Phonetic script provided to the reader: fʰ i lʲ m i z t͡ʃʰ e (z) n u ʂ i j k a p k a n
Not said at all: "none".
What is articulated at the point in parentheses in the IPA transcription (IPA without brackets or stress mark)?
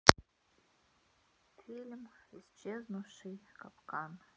z